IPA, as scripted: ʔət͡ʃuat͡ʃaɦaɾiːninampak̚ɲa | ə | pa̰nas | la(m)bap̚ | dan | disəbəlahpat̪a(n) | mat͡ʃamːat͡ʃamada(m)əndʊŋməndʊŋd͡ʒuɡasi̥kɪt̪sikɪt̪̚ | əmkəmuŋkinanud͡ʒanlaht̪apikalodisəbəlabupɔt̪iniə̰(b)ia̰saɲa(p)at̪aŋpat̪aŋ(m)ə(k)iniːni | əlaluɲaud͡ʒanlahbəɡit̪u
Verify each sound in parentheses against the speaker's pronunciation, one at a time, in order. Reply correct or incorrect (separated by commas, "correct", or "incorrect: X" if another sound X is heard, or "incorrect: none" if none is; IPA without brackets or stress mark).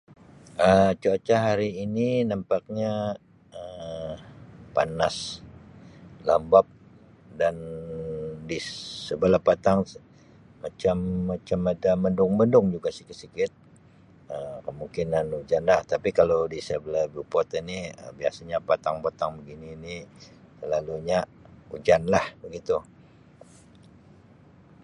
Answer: correct, incorrect: ŋ, correct, correct, correct, incorrect: b, incorrect: ɡ